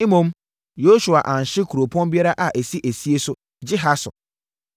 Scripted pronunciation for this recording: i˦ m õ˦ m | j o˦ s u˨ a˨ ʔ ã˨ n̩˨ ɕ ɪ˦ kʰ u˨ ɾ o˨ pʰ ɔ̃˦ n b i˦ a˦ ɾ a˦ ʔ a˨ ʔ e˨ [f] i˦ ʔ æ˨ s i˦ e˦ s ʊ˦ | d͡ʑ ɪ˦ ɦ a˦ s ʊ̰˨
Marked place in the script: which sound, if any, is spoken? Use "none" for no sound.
s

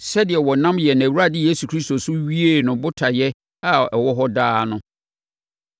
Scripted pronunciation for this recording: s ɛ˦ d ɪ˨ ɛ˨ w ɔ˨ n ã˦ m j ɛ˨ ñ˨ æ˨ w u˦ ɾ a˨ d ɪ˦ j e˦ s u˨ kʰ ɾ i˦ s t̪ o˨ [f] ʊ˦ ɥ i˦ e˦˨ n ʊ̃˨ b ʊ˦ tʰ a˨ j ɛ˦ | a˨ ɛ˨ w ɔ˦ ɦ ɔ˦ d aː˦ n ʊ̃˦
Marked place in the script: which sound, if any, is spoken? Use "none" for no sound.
s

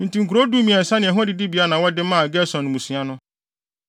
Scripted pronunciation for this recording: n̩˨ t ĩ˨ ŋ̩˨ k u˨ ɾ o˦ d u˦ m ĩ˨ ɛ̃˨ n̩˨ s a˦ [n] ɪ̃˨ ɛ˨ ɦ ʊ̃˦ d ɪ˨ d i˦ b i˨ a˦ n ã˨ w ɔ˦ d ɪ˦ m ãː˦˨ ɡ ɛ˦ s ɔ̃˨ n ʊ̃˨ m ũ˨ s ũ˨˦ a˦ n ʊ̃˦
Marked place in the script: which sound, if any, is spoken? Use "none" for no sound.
n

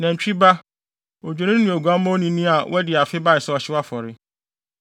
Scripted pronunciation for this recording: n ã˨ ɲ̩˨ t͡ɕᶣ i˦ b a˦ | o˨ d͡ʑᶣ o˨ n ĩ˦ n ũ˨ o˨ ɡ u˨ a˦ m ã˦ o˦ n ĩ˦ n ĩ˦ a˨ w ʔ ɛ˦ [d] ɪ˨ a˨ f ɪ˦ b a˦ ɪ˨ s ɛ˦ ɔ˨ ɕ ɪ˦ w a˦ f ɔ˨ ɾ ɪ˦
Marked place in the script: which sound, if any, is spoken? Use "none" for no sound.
d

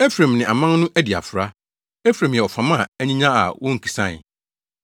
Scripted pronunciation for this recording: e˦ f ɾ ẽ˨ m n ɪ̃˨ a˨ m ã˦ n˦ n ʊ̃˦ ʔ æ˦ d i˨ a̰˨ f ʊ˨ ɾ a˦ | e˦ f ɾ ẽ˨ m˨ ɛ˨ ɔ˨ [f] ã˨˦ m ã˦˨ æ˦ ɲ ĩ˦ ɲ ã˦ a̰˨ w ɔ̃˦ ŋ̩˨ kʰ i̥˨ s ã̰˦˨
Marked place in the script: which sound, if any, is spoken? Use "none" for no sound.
f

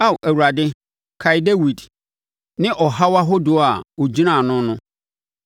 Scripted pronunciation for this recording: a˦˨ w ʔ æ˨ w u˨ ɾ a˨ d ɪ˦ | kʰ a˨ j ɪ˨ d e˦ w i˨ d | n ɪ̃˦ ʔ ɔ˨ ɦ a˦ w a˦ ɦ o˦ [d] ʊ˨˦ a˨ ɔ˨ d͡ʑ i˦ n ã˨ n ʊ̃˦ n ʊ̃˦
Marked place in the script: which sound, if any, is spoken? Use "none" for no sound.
d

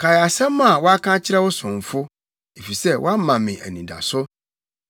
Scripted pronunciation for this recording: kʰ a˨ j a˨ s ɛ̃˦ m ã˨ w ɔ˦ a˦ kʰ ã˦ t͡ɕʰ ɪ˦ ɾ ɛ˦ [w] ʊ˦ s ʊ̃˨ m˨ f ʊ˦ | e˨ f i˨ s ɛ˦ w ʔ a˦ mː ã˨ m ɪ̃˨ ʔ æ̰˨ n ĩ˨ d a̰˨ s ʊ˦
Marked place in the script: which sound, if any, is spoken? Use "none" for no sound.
w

